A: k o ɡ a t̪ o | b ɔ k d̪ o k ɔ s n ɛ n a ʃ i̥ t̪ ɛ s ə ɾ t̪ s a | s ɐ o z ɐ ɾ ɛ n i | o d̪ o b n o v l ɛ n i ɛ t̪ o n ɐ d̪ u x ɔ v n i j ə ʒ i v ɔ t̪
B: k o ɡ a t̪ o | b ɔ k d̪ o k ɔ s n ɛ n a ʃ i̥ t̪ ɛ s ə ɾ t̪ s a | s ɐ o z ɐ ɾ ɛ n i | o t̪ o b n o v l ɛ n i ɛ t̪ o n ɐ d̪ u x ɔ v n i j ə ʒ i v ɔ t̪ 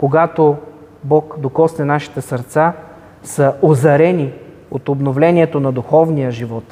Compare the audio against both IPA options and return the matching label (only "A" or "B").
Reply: B